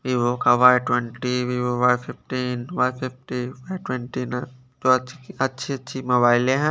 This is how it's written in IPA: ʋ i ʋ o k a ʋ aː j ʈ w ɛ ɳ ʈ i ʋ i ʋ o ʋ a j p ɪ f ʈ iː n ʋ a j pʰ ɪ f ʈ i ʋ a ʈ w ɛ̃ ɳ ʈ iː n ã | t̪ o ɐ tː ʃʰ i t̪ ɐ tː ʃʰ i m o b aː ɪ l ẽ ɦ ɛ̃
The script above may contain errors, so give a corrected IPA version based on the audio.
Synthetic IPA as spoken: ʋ i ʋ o k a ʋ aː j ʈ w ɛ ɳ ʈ i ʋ i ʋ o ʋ a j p ɪ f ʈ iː n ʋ a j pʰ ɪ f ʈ i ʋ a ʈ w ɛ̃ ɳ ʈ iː n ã | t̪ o ɐ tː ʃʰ i ɐ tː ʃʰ i m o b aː ɪ l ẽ ɦ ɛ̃